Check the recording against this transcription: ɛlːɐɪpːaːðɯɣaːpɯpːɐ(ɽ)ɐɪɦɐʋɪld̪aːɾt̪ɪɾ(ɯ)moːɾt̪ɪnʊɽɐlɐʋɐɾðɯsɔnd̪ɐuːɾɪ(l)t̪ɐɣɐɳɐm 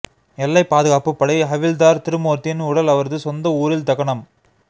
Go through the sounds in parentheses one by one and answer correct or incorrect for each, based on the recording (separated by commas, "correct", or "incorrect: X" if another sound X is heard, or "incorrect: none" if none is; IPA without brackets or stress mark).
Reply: correct, correct, correct